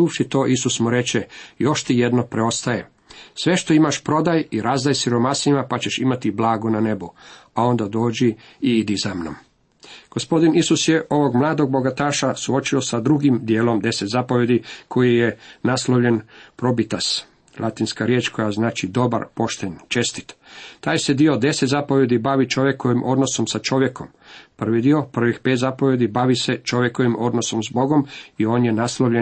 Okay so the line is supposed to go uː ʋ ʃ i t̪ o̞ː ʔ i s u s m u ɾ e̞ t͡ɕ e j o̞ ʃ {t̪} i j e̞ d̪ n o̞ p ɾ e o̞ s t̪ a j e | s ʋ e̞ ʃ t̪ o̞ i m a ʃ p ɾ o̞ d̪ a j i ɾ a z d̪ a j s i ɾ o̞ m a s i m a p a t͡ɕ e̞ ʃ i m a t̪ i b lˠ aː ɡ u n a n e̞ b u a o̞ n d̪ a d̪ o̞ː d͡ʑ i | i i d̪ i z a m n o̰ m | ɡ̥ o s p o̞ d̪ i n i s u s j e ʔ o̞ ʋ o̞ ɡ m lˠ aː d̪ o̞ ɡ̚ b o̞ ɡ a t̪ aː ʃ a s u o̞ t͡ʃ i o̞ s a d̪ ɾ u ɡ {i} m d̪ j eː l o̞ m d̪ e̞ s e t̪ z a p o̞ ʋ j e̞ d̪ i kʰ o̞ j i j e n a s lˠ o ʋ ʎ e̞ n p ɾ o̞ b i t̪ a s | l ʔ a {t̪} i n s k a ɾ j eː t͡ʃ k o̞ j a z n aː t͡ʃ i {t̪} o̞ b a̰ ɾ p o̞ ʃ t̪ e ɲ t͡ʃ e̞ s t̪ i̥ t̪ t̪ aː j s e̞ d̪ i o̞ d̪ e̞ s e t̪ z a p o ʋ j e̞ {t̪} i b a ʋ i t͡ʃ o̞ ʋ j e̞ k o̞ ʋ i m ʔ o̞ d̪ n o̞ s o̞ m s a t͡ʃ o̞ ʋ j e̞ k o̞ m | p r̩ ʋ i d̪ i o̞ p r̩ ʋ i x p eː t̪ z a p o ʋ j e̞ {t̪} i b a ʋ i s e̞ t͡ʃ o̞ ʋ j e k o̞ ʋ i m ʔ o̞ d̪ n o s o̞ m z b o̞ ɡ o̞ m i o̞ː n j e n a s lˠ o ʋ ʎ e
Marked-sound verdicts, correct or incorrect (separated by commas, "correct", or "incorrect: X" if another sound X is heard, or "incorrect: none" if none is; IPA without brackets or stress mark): correct, correct, correct, incorrect: d̪, incorrect: d̪, incorrect: d̪